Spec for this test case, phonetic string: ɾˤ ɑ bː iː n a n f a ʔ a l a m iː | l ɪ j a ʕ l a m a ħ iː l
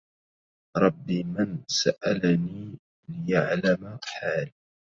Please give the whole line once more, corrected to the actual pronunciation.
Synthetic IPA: ɾˤ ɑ bː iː m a n s a ʔ a l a n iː | l ɪ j a ʕ l a m a ħ aː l